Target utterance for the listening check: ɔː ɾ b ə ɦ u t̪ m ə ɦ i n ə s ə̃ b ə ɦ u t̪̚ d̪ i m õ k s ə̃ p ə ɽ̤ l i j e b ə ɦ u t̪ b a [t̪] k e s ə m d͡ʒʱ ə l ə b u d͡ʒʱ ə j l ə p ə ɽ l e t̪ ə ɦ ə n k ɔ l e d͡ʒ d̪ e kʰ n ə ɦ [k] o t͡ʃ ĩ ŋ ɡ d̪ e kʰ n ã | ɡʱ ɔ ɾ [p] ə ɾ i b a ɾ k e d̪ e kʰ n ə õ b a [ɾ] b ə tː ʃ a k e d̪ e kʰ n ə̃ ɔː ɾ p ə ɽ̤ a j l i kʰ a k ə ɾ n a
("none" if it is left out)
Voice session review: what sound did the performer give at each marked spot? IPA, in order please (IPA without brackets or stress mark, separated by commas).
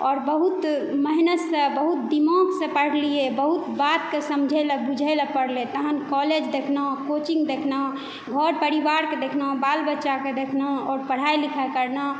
t̪, k, p, l